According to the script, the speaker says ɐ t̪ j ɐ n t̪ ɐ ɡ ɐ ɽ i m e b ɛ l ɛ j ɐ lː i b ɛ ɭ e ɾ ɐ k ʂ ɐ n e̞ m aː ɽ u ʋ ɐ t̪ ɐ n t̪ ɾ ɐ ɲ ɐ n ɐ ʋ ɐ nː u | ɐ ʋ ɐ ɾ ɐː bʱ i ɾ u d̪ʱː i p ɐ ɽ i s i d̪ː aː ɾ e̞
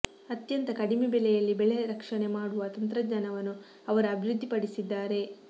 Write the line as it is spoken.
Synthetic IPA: ɐ t̪ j ɐ n t̪ ɐ k ɐ ɽ i m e b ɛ l ɛ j ɐ lː i b ɛ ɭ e ɾ ɐ k ʂ ɐ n e̞ m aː ɽ u ʋ ɐ t̪ ɐ n t̪ ɾ ɐ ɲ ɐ n ɐ ʋ ɐ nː u | ɐ ʋ ɐ ɾ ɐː bʱ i ɾ u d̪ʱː i p ɐ ɽ i s i d̪ː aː ɾ e̞